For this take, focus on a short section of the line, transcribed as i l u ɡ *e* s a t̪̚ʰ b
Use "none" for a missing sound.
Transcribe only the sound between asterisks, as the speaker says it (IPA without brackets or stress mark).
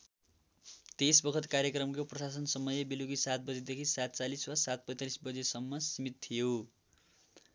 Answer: i